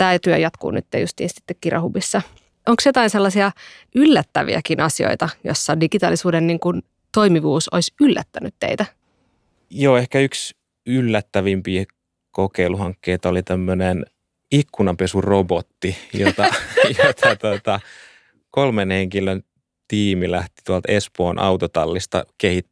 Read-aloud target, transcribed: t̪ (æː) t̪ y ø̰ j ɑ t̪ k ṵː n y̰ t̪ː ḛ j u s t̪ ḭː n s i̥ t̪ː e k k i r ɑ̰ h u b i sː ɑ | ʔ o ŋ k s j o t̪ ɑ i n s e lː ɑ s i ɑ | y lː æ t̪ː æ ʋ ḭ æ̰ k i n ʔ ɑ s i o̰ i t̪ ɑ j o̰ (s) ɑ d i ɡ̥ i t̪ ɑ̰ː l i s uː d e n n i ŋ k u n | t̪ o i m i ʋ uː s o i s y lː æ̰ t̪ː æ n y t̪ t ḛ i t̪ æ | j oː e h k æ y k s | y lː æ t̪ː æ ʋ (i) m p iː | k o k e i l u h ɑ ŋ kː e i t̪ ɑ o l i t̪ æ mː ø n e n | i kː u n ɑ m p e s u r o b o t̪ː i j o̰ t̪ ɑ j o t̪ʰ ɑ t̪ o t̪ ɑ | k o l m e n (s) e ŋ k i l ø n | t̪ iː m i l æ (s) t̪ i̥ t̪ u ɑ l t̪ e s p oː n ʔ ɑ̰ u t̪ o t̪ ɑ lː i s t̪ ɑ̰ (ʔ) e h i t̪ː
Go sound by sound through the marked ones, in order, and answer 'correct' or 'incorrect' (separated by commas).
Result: correct, incorrect, correct, incorrect, incorrect, incorrect